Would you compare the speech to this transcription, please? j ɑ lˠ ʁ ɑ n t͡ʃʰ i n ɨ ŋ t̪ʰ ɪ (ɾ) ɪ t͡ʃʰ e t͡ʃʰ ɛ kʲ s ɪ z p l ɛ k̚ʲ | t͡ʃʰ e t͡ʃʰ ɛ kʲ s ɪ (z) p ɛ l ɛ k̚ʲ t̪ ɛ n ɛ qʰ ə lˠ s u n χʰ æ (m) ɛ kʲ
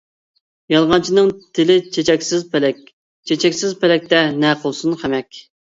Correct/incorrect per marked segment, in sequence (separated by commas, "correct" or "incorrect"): incorrect, correct, correct